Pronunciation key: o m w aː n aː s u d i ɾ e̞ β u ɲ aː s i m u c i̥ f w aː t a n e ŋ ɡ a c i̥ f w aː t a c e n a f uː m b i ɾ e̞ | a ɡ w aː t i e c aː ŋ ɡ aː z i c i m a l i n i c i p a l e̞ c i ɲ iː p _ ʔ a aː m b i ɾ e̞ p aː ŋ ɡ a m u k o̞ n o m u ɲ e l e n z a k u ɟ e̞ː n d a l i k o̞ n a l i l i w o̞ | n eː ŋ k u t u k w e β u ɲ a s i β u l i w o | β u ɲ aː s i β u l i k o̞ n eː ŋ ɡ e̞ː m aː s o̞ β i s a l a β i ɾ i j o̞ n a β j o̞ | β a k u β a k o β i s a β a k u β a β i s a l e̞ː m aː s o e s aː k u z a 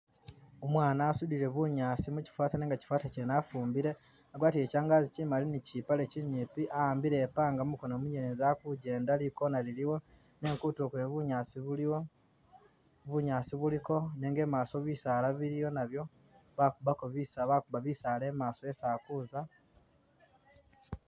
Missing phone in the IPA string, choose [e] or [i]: i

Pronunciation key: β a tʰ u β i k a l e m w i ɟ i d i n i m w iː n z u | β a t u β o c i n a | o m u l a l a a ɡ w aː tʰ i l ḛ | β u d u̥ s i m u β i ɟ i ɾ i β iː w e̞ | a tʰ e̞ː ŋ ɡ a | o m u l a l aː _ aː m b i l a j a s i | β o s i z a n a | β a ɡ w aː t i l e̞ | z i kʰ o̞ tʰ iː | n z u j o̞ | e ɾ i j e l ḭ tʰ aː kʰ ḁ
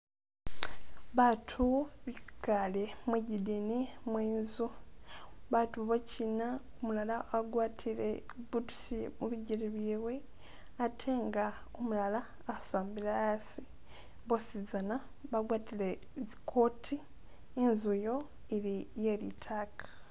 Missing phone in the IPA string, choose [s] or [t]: s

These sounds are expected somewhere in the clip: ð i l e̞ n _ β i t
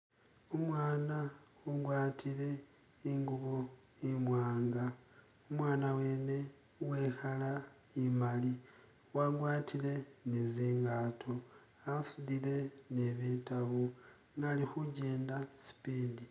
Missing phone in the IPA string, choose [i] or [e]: e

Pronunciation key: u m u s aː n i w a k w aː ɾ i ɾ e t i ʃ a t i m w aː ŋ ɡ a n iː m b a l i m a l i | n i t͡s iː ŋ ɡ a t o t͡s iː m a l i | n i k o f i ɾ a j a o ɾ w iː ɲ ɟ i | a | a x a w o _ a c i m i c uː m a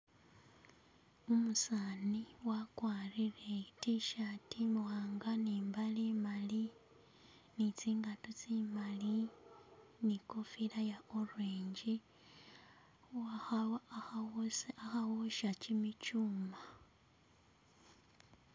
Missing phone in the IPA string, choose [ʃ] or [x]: ʃ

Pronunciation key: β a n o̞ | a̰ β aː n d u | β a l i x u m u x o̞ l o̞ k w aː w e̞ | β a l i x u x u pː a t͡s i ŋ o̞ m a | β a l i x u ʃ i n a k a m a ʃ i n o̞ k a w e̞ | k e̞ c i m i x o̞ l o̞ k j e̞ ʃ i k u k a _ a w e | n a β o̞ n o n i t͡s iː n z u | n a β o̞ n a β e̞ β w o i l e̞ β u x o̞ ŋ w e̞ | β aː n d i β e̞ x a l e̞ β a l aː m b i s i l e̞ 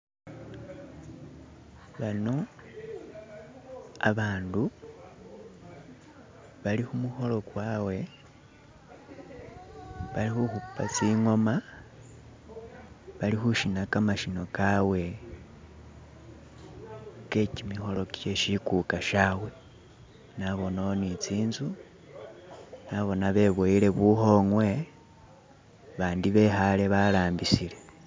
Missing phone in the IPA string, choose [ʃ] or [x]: ʃ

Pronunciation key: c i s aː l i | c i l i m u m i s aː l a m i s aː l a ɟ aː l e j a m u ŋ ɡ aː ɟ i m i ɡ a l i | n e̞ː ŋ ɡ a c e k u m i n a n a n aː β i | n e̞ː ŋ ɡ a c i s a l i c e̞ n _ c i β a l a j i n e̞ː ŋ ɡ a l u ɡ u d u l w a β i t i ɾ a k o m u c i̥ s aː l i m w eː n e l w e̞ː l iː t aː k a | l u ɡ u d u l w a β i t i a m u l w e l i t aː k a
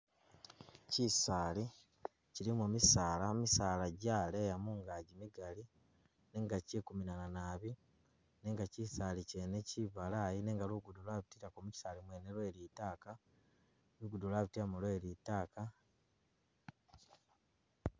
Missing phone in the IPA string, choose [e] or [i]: e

